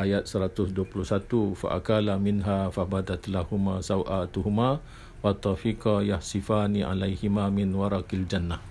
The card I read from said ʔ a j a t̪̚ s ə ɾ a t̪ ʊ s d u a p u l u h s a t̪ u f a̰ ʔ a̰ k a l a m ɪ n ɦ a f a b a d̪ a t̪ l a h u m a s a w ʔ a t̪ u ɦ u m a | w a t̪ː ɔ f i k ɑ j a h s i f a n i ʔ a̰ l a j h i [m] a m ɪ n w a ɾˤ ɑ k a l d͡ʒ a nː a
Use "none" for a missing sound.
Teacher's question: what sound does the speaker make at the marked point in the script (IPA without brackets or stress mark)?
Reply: m